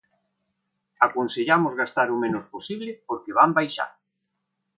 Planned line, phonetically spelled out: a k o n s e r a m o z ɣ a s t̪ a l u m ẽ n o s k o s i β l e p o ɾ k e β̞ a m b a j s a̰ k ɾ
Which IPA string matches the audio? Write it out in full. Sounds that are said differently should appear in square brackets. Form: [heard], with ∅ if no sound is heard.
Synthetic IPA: a k o n s e [ʎ] a m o z ɣ a s t̪ a [ɾ] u m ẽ n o s [p] o s i β l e p o ɾ k e β̞ a m b a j [ʃ] a̰ [∅] ɾ